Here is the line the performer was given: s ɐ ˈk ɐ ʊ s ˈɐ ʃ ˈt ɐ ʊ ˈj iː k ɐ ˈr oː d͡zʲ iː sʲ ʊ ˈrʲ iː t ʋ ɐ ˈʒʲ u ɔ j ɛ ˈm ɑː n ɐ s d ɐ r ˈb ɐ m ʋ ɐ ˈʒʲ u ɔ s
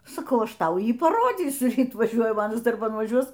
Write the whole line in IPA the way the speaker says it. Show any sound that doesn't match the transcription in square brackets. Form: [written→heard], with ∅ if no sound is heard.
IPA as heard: s ɐ ˈk ɐ ʊ [s→∅] ˈɐ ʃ ˈt ɐ ʊ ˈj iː [k→p] ɐ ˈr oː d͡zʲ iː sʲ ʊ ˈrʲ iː t ʋ ɐ ˈʒʲ u ɔ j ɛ ˈm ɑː n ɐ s d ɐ r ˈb ɐ [m→n] ʋ ɐ ˈʒʲ u ɔ s